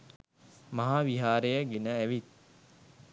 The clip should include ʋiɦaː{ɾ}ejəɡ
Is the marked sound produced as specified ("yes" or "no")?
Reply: yes